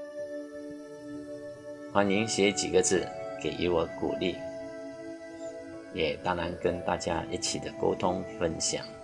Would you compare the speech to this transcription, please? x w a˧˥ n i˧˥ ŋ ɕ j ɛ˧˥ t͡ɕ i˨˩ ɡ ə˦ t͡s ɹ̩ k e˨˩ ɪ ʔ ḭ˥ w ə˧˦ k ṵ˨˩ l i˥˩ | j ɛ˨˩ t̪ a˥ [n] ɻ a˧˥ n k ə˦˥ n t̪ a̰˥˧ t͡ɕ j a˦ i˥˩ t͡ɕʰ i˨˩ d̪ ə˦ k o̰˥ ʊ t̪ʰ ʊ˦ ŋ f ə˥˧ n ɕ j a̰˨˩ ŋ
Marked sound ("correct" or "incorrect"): incorrect